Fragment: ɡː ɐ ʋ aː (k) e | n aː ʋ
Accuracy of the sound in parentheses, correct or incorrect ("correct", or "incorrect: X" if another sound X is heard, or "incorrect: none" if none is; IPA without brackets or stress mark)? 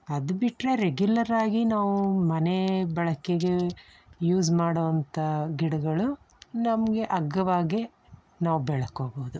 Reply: incorrect: ɡ